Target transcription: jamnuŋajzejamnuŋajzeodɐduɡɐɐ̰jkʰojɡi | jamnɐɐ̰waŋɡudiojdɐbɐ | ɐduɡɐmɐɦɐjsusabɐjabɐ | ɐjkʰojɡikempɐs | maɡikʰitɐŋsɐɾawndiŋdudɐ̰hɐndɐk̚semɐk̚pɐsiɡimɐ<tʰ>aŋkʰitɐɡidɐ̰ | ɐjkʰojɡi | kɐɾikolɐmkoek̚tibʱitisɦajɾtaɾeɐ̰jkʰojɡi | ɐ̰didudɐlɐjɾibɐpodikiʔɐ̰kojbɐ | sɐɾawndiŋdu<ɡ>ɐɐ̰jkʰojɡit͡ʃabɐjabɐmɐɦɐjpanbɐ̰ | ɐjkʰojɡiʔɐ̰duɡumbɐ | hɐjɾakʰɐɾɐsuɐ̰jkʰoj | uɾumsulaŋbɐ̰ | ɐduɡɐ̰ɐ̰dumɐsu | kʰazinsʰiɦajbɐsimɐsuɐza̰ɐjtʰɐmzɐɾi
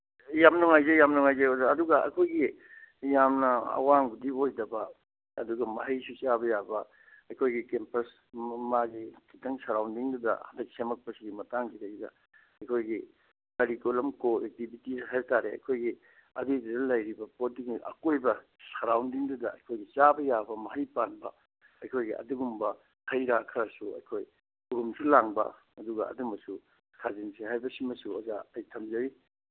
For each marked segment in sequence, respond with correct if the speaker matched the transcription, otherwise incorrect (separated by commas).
incorrect, incorrect